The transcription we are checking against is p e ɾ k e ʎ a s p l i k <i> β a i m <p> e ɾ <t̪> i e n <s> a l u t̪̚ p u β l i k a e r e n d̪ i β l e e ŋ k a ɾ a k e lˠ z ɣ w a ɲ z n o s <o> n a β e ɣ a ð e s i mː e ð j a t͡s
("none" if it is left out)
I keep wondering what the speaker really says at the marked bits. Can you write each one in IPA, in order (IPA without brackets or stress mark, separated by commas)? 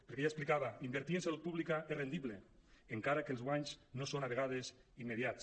a, b, t̪, s, o